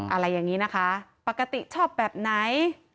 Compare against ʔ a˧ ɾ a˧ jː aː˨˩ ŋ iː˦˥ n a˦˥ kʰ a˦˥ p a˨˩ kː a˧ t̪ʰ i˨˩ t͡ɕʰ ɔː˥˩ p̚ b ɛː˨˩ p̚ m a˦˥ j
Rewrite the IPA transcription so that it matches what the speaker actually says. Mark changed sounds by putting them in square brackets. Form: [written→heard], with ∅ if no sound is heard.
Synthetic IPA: ʔ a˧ ɾ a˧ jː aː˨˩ ŋ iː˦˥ n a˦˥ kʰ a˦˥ p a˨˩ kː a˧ [t̪ʰ→t̪] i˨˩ t͡ɕʰ ɔː˥˩ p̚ b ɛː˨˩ p̚ [m→n] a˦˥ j